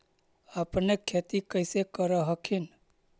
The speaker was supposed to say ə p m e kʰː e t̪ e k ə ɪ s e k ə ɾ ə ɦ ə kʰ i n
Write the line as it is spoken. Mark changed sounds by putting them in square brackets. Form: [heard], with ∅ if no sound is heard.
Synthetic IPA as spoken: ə p [n] e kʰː e t̪ [i] k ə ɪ s e k ə ɾ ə ɦ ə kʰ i n